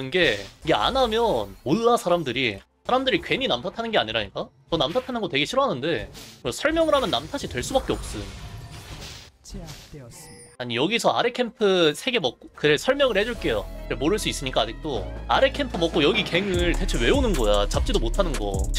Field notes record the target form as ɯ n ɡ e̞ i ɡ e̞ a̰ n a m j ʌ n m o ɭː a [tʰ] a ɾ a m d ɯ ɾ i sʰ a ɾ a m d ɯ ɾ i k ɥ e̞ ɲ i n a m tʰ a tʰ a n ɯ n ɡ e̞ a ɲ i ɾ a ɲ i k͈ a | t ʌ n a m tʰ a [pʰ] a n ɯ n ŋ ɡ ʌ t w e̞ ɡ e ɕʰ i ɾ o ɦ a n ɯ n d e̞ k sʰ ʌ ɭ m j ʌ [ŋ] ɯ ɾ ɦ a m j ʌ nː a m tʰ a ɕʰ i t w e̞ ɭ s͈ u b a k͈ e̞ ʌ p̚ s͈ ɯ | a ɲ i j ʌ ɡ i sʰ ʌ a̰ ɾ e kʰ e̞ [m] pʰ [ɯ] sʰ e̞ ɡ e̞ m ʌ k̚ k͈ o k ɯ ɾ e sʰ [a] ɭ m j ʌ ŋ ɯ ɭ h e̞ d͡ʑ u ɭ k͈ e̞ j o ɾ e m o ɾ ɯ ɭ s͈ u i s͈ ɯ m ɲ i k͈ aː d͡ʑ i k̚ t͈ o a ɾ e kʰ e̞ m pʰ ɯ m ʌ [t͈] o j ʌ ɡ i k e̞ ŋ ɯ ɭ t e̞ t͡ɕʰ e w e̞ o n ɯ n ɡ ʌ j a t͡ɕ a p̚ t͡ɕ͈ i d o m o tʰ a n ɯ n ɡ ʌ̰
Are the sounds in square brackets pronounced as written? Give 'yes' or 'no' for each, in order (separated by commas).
no, no, yes, yes, yes, no, no